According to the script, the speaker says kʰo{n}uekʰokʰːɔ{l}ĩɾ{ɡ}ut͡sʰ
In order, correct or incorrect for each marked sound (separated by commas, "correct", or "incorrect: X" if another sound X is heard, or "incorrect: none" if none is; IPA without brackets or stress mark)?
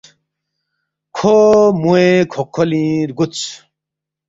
incorrect: m, correct, correct